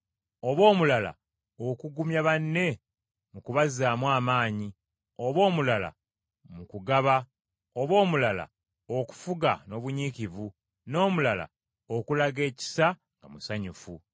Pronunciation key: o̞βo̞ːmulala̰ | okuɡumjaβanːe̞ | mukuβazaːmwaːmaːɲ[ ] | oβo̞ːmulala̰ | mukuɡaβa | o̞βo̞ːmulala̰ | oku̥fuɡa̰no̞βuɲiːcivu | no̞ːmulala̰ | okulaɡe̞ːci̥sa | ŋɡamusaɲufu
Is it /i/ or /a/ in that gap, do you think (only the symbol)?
i